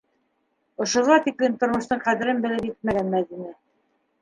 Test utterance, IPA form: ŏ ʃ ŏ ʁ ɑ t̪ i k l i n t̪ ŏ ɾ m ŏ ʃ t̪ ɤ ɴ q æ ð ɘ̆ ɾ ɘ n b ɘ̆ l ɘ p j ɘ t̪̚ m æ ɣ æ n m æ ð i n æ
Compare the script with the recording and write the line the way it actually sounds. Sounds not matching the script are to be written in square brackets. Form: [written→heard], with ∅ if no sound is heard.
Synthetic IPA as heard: ŏ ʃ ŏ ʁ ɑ t̪ i k l i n t̪ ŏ ɾ m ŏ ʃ t̪ ɤ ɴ q æ ð ɘ̆ ɾ ɘ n b ɘ̆ l ɘ p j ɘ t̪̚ m æ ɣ æ n m æ ð i n æ

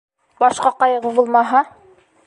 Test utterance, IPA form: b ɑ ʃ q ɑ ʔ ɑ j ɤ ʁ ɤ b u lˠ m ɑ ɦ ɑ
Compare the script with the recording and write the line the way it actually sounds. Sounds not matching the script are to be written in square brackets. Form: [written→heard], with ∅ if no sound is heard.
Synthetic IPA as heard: b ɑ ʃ q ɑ [ʔ→q] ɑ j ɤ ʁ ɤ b u lˠ m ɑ ɦ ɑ

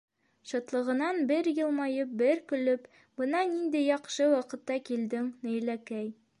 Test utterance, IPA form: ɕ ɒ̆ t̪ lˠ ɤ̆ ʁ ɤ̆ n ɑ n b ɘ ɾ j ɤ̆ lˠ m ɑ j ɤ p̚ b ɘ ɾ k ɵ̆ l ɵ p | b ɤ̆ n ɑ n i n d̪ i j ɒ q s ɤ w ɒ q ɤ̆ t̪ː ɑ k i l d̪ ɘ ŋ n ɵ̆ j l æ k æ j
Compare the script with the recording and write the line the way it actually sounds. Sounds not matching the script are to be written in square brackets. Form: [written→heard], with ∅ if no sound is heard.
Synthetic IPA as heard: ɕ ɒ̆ t̪ lˠ ɤ̆ ʁ ɤ̆ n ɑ n b ɘ ɾ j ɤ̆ lˠ m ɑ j ɤ p̚ b ɘ ɾ k ɵ̆ l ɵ p | b ɤ̆ n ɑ n i n d̪ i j ɒ q [s→ʃ] ɤ w ɒ q ɤ̆ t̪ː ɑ k i l d̪ ɘ ŋ n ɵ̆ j l æ k æ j

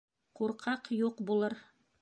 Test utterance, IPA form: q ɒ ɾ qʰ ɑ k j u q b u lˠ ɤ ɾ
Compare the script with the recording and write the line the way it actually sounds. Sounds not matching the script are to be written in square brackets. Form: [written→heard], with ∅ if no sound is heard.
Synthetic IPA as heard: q [ɒ→u] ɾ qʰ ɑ [k→q] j u q b u lˠ ɤ ɾ

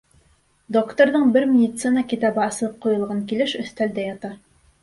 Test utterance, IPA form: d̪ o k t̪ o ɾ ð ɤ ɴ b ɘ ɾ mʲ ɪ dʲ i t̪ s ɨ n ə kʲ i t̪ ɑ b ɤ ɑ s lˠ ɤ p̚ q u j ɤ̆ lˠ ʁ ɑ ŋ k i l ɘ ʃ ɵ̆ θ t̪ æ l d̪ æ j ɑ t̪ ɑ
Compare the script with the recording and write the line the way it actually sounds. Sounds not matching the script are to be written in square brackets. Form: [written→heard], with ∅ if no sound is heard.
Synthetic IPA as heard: d̪ o k t̪ o ɾ ð ɤ ɴ b ɘ ɾ mʲ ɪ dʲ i t̪ s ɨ n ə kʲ i t̪ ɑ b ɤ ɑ s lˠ ɤ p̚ q u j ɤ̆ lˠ ʁ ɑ ŋ k i l ɘ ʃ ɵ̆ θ t̪ æ l d̪ æ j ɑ t̪ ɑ

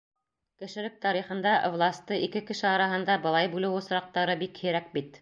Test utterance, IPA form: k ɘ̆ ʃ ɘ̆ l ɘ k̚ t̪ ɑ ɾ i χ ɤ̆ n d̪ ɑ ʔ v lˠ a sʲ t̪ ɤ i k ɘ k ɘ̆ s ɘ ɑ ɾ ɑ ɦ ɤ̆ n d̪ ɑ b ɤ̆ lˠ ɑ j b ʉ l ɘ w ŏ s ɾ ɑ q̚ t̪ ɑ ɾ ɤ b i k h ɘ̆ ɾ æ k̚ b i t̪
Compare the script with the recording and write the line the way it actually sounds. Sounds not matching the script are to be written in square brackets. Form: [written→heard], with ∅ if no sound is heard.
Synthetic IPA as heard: k ɘ̆ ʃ ɘ̆ l ɘ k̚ t̪ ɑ ɾ i χ ɤ̆ n d̪ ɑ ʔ v lˠ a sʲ t̪ ɤ i k ɘ k ɘ̆ [s→ʃ] ɘ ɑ ɾ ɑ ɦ ɤ̆ n d̪ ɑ b ɤ̆ lˠ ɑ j b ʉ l ɘ w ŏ s ɾ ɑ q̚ t̪ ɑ ɾ ɤ b i k h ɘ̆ ɾ æ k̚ b i t̪

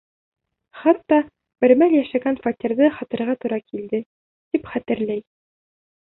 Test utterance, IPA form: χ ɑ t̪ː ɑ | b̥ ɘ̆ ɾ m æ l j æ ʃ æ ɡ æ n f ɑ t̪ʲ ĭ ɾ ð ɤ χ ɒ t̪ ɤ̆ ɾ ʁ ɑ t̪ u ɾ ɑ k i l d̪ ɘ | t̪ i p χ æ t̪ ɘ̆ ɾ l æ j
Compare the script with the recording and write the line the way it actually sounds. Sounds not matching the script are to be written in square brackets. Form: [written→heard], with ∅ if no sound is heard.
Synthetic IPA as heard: χ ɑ t̪ː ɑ | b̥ ɘ̆ ɾ m æ l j æ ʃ æ ɡ æ n f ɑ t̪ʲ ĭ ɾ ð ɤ χ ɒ t̪ ɤ̆ ɾ ʁ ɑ t̪ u ɾ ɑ k i l d̪ ɘ | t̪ i p χ æ t̪ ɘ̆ ɾ l æ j

